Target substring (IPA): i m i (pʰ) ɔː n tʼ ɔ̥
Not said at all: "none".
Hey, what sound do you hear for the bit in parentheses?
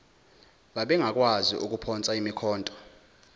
kʰ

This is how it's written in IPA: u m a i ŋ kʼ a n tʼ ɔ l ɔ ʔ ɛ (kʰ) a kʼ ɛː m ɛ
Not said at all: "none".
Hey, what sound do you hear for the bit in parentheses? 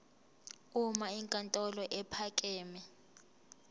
pʰ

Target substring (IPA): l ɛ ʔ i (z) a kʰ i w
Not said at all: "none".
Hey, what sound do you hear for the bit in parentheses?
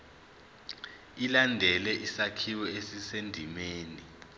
s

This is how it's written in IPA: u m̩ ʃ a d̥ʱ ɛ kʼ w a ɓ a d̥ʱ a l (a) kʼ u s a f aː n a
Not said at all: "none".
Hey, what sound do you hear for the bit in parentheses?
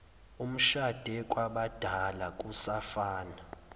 a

